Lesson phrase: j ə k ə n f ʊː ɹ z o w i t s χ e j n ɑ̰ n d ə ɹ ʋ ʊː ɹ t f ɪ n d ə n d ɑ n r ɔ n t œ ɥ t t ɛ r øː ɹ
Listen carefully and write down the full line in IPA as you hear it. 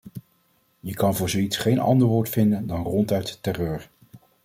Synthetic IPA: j ə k ɑ n v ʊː ɹ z o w i t s χ e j n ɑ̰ n d ə ɹ ʋ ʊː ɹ t f ɪ n d ə n d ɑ n r ɔ n t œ ɥ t t ɛ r øː ɹ